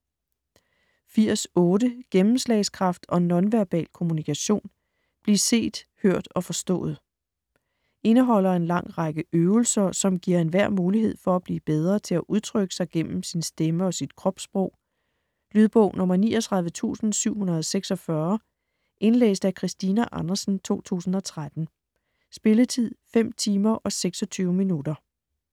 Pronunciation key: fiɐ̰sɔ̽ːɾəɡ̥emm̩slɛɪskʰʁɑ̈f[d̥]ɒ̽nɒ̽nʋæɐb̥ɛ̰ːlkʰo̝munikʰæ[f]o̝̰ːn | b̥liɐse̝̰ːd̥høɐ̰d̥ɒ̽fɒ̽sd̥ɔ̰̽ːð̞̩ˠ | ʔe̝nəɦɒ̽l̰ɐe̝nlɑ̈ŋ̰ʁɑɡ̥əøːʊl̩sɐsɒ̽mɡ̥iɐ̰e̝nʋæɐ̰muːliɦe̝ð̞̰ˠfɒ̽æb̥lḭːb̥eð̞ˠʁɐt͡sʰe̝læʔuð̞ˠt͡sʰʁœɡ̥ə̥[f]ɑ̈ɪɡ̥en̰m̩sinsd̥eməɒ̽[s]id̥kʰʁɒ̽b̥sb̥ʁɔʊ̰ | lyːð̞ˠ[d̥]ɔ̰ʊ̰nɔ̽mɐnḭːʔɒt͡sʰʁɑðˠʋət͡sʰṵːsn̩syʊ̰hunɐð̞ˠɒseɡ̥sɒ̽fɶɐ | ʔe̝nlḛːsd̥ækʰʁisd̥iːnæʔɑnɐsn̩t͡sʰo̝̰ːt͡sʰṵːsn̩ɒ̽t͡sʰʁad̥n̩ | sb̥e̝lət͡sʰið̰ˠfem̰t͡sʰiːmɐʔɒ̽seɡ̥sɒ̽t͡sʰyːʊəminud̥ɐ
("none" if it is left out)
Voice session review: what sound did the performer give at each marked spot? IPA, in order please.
d̥, ɕ, s, s, b̥

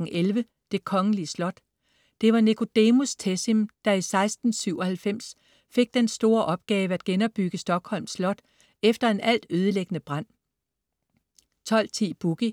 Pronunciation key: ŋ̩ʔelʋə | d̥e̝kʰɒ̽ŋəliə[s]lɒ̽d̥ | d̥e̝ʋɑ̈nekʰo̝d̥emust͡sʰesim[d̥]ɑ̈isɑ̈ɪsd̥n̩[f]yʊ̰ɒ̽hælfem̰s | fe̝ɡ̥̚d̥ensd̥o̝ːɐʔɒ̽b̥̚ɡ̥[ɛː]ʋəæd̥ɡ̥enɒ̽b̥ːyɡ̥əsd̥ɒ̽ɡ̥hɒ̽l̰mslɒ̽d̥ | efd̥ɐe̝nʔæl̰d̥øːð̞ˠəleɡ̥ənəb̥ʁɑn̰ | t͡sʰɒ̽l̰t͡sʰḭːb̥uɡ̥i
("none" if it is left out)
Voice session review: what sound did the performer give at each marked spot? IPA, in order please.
s, d̥, s, ɛː

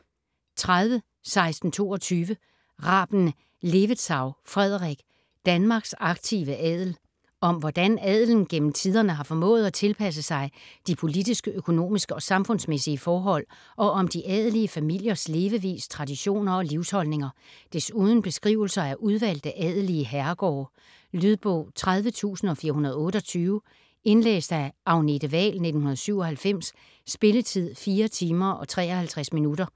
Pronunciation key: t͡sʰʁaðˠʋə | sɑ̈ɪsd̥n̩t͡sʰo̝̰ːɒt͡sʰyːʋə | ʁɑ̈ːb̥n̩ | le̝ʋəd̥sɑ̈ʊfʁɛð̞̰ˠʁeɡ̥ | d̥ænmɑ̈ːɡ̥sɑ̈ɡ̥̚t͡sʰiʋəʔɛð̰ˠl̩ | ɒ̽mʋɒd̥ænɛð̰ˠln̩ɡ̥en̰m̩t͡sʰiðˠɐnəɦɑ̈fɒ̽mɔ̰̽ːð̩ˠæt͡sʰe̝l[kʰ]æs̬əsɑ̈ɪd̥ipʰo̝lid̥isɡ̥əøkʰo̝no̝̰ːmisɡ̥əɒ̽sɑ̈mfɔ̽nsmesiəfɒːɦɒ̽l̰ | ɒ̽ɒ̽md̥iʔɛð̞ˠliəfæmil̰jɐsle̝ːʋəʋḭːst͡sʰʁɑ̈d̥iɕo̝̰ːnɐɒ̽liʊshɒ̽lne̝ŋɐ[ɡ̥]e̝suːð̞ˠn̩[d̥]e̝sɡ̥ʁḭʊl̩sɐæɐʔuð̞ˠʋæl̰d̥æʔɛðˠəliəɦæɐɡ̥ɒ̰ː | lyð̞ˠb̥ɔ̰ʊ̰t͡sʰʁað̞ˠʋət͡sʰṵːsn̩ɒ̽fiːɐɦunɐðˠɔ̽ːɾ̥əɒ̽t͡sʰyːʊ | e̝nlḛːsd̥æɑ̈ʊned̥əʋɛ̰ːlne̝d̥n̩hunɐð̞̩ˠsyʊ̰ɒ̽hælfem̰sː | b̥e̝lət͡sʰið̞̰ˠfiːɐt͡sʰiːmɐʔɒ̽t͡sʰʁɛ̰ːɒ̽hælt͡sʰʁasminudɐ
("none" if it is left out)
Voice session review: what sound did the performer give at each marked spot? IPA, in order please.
pʰ, d̥, b̥

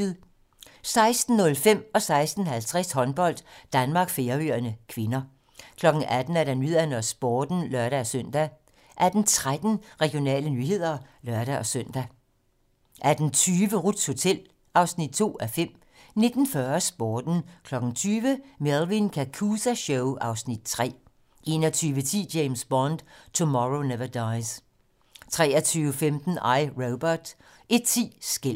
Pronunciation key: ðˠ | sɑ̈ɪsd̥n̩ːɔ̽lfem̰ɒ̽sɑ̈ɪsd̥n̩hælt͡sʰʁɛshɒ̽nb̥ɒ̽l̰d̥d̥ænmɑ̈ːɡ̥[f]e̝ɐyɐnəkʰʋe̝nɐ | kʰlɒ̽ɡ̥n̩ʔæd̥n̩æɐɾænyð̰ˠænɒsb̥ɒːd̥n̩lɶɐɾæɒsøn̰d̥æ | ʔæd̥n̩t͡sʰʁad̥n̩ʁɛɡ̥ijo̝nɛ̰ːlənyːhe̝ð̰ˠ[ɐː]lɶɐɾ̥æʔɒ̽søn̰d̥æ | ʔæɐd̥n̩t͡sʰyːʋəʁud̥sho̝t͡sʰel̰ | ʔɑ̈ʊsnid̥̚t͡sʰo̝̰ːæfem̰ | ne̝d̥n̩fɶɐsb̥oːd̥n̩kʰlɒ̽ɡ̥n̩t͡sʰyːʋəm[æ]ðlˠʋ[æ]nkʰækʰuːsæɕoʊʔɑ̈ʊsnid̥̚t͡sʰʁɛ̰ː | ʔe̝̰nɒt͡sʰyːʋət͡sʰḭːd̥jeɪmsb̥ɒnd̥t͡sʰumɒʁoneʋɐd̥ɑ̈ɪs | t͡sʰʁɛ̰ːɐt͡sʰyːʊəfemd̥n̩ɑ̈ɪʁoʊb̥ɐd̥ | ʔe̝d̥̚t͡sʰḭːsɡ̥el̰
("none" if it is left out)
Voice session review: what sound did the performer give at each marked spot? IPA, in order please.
f, ɐ, e, i

